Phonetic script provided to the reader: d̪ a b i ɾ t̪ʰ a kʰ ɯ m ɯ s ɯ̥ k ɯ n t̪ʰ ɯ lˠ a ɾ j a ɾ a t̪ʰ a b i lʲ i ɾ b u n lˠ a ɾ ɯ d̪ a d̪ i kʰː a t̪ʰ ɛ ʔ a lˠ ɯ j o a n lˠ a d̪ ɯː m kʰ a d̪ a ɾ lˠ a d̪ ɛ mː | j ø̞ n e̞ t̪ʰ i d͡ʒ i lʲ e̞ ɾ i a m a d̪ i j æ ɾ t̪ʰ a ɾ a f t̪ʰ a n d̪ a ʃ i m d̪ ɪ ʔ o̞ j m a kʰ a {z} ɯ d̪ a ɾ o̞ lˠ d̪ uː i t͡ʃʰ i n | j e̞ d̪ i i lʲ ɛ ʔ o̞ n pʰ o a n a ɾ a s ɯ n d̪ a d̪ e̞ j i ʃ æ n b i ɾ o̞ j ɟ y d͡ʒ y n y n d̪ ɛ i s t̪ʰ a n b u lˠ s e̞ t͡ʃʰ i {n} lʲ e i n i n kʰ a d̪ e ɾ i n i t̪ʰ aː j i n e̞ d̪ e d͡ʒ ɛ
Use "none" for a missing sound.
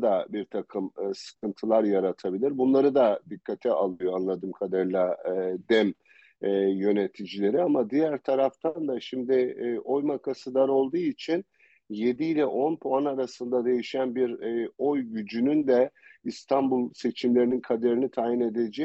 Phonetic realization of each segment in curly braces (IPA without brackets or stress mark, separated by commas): s, m